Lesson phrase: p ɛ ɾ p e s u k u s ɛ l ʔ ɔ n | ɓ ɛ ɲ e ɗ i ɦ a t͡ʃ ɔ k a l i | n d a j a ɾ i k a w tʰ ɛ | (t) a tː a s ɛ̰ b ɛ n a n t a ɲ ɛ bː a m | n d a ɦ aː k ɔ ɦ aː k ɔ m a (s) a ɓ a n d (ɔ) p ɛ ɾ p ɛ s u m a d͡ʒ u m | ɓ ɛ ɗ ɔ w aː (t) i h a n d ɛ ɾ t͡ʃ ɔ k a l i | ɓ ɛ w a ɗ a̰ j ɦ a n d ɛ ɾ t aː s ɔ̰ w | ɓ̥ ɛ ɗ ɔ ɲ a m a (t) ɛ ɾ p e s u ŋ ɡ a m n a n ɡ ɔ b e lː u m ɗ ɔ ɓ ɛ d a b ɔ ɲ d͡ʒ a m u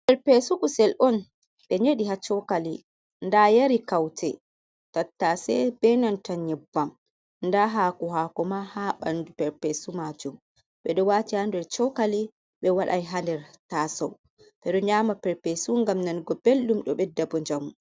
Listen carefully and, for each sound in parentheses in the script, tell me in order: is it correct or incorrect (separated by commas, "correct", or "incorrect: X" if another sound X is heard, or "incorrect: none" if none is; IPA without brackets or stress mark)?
correct, incorrect: h, incorrect: u, correct, incorrect: p